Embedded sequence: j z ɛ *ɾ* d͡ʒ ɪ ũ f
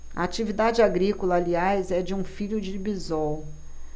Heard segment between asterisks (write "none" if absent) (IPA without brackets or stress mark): none